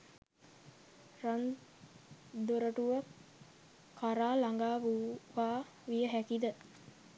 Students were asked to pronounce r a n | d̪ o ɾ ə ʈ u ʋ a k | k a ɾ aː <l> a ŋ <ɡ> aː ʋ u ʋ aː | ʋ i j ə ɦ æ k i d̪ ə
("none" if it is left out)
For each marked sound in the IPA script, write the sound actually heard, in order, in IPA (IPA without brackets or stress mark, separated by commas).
l, ɡ